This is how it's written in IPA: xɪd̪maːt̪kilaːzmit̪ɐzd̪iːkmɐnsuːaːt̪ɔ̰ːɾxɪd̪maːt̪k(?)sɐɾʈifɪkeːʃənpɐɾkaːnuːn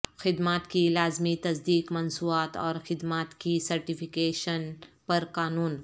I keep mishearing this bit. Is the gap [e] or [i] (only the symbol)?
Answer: i